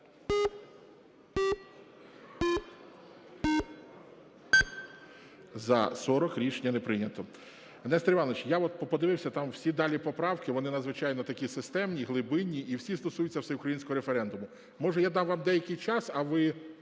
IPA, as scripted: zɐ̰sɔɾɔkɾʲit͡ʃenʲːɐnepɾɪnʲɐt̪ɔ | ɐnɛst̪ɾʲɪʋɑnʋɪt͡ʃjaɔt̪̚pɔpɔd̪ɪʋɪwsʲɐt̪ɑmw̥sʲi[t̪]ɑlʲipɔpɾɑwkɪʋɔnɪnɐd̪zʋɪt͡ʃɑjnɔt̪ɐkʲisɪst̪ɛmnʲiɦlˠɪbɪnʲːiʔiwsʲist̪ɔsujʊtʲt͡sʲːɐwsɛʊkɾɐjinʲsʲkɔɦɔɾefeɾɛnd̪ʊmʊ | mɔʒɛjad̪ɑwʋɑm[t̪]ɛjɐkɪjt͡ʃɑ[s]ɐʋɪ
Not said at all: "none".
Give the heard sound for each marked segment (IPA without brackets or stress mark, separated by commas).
d̪, d̪, s